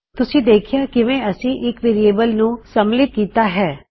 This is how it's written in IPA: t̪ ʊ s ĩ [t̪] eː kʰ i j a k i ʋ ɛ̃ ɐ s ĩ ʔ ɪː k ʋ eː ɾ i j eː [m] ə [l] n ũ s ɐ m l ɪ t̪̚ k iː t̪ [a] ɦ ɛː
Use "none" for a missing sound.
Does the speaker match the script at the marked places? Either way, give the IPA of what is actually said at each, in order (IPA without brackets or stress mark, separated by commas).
d̪, b, l, a